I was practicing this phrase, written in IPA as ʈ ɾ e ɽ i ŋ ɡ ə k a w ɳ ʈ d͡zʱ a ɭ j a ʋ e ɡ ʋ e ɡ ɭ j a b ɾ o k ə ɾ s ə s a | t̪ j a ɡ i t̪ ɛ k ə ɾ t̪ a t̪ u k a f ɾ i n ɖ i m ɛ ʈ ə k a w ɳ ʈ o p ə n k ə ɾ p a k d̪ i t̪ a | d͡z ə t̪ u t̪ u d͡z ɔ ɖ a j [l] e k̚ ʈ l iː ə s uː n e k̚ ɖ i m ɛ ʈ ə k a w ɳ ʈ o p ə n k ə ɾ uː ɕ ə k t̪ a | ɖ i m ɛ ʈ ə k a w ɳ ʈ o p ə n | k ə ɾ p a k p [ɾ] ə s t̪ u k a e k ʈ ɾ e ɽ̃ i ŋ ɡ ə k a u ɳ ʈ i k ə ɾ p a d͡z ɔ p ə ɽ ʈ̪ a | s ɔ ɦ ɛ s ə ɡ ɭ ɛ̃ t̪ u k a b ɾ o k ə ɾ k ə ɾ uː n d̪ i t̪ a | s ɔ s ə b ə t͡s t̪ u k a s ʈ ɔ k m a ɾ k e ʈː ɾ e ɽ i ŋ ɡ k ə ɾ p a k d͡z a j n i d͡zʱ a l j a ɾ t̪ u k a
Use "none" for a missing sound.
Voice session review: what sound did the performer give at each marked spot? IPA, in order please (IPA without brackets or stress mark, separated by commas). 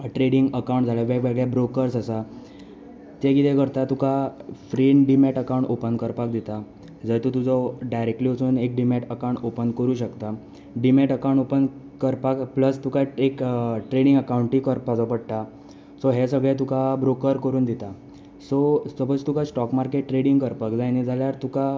ɾ, l